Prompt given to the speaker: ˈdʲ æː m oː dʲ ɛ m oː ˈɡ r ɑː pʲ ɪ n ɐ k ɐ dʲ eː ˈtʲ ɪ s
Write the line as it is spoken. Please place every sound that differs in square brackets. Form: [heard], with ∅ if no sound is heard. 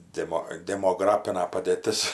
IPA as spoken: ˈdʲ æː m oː dʲ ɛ m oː ˈɡ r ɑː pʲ ɪ n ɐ [p] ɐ dʲ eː ˈtʲ ɪ s